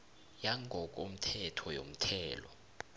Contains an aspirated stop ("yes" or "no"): yes